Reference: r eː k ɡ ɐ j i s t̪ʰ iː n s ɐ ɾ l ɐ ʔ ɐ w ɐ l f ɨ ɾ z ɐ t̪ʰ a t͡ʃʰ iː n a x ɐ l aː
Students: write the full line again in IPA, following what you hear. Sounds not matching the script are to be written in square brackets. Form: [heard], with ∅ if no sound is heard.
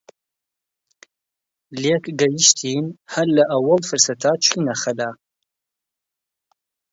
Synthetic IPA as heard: [l] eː k ɡ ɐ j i [ʃ] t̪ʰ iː n [h] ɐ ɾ l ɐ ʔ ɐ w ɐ l f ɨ ɾ [s] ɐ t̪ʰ a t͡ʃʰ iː n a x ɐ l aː